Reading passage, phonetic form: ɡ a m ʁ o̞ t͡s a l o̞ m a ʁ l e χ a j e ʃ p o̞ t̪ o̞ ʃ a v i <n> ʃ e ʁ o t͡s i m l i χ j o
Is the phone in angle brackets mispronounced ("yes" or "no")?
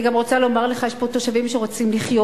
yes